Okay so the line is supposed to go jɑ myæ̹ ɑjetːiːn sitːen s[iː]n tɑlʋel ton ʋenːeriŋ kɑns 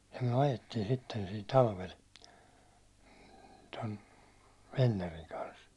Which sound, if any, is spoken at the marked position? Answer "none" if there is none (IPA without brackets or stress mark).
iː